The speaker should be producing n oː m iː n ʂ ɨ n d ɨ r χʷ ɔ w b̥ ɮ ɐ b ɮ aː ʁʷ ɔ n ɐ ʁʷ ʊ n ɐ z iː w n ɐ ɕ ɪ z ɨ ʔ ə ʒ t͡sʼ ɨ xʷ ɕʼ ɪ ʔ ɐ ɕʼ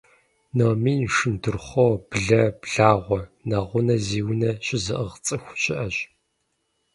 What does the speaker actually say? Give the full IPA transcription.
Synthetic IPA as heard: n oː m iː n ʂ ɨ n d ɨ r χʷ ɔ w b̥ ɮ ɐ b ɮ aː ʁʷ ɔ n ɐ ʁʷ ʊ n ɐ z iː w n ɐ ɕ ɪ z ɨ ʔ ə ʁ t͡sʼ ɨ xʷ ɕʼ ɪ ʔ ɐ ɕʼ

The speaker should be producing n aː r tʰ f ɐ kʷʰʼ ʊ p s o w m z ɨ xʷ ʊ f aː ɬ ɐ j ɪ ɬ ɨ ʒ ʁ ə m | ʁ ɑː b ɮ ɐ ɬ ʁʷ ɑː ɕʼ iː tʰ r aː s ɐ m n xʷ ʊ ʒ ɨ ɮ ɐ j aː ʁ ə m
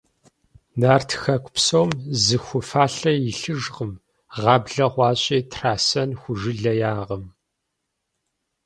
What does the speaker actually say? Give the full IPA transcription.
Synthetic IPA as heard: n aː r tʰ x ɐ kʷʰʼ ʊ p s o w m z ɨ xʷ ʊ f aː ɬ ɐ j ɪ ɬ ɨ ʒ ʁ ə m | ʁ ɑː b ɮ ɐ ʁʷ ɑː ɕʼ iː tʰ r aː s ɐ n xʷ ʊ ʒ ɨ ɮ ɐ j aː ʁ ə m

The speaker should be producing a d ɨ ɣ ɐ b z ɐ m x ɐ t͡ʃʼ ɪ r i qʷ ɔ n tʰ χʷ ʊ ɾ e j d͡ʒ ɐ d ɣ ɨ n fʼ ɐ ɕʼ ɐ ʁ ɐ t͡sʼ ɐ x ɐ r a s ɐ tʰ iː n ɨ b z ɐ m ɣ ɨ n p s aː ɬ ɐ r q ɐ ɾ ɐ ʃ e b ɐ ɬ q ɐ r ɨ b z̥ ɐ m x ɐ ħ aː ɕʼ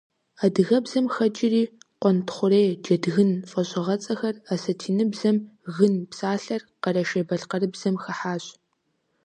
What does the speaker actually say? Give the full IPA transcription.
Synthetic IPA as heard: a d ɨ ɣ ɐ b z ɐ m x ɐ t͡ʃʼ ɪ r iː qʷ ɔ n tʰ χʷ ʊ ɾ e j d͡ʒ ɐ d ɣ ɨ n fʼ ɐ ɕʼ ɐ ʁ ɐ t͡sʼ ɐ x ɐ r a s ɐ tʰ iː n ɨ b z ɐ m ɣ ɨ n p s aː ɬ ɐ r q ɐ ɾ ɐ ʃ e b ɐ ɬ q ɐ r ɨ b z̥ ɐ m x ɐ ħ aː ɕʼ

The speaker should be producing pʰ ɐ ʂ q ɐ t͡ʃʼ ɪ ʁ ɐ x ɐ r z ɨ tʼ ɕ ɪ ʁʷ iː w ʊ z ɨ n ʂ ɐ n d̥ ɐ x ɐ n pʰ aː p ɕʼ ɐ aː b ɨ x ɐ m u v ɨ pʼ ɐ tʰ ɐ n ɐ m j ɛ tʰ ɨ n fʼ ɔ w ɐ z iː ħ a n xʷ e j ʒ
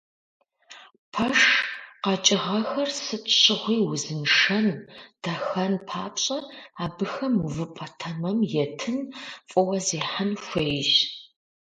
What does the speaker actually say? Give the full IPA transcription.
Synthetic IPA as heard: pʰ ɐ ʂ q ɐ t͡ʃʼ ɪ ʁ ɐ x ɐ r s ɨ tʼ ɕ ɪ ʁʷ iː w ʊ z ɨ n ʂ ɐ n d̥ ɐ x ɐ n pʰ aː p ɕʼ ɐ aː b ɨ x ɐ m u v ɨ pʼ ɐ tʰ ɐ m ɐ m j ɛ tʰ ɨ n fʼ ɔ w ɐ z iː ħ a n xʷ e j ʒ

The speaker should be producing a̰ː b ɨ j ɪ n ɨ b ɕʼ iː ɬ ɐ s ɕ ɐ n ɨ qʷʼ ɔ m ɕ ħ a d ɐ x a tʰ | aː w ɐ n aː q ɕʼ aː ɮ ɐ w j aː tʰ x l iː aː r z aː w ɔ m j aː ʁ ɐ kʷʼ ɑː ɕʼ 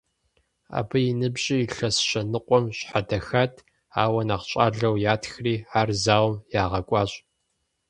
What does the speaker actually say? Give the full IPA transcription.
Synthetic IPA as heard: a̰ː b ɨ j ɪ n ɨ b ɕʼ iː ɬ ɐ s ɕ ɐ n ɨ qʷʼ ɔ m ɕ ħ a d ɐ x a tʰ | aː w ɐ n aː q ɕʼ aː ɮ ɐ w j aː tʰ x r iː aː r z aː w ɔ m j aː ʁ ɐ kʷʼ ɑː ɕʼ

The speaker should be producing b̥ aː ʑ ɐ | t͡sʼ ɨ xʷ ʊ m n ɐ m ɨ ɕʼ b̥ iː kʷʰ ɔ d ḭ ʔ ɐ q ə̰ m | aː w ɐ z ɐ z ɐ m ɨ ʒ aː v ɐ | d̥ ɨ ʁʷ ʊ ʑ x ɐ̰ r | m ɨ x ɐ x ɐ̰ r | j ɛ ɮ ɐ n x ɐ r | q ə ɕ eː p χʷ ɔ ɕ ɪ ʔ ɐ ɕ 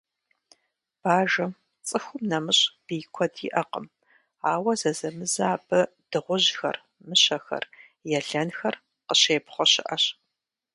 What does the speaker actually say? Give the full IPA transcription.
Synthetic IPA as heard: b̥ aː ʒ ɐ | t͡sʼ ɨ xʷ ʊ m n ɐ m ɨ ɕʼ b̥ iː kʷʰ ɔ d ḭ ʔ ɐ q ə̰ m | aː w ɐ z ɐ z ɐ m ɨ z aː b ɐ | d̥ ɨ ʁʷ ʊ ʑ x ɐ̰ r | m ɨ ɕ ɐ x ɐ̰ r | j ɛ ɮ ɐ n x ɐ r | q ə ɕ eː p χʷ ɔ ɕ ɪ ʔ ɐ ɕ

